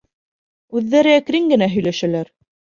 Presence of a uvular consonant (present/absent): absent